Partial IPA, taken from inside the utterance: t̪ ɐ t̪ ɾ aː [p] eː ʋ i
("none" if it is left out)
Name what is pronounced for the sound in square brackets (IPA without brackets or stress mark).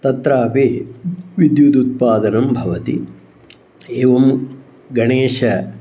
p